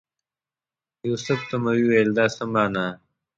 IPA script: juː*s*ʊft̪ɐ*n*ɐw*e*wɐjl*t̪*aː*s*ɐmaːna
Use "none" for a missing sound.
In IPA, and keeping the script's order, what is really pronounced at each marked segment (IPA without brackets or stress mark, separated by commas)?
s, m, i, d̪, s